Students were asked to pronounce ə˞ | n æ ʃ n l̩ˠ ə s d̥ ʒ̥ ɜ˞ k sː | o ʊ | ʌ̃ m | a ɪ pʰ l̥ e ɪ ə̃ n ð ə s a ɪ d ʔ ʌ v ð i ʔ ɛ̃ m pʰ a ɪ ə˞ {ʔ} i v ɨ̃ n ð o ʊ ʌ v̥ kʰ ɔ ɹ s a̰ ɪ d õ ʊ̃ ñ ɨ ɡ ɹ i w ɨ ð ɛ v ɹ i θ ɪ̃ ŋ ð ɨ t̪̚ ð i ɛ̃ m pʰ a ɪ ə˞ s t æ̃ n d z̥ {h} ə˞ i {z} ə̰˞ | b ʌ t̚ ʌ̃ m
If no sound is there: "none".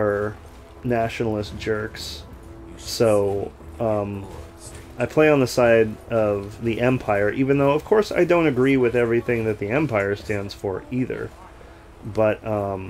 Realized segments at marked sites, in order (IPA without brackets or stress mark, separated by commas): ʔ, f, ð